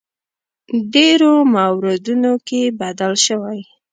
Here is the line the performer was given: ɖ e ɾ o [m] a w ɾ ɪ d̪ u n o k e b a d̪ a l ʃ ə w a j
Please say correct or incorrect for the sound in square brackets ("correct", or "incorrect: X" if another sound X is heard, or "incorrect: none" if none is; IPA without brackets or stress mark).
correct